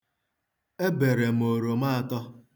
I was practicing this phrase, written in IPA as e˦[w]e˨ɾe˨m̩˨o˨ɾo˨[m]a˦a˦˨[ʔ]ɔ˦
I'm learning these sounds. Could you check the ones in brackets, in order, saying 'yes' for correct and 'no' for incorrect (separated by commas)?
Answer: no, yes, no